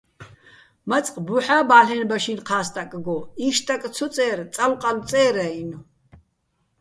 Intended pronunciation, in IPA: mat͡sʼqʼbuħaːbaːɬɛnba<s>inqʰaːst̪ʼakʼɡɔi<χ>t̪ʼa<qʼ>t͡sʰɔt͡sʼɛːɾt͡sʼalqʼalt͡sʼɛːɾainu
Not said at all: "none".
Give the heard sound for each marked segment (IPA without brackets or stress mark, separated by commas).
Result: ʃ, ʃ, kʼ